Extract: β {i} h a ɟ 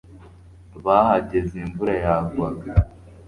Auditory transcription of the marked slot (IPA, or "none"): a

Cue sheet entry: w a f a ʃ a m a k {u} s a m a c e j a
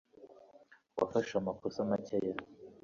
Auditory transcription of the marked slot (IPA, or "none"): o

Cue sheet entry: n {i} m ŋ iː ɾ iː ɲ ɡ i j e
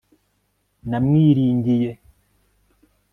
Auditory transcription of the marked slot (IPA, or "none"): a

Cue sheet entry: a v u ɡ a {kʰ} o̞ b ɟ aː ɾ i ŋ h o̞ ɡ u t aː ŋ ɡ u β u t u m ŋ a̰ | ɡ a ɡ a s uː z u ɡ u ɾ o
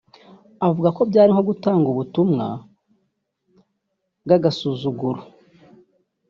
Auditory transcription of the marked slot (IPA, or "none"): k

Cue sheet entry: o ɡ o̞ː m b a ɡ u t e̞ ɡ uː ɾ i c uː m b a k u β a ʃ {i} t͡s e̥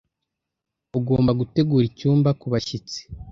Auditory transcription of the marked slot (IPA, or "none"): i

